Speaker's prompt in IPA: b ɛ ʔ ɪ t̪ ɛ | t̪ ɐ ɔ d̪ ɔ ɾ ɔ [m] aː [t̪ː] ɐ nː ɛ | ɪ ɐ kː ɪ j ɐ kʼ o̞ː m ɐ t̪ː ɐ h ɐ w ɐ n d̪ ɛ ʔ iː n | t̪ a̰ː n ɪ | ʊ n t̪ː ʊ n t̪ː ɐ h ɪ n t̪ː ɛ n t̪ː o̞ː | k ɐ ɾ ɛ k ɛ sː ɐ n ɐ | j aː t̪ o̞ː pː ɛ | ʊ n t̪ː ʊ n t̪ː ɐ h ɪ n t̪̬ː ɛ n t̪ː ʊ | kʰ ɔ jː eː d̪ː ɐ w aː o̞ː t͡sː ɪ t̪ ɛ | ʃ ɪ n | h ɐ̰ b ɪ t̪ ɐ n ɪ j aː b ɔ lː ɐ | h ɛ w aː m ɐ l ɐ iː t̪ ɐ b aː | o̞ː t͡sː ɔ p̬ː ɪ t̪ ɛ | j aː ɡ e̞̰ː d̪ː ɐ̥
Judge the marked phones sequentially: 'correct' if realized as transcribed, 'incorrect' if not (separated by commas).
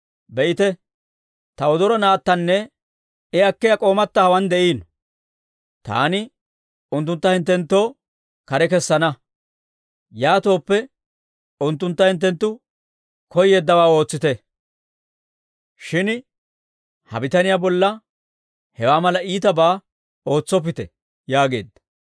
incorrect, correct